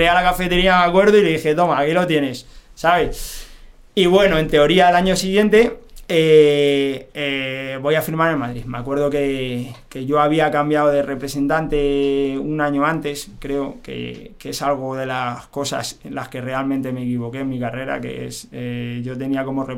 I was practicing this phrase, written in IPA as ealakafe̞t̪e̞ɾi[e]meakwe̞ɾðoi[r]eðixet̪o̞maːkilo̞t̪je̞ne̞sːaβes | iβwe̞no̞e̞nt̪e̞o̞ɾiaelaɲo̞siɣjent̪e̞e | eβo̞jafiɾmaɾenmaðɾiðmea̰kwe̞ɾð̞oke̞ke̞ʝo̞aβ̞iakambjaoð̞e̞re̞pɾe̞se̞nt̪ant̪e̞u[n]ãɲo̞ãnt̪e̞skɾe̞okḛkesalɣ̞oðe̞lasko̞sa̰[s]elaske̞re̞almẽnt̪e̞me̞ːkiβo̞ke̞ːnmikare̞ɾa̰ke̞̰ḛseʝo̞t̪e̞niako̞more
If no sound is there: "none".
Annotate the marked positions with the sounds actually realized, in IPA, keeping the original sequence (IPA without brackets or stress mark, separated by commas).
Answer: a, l, n, s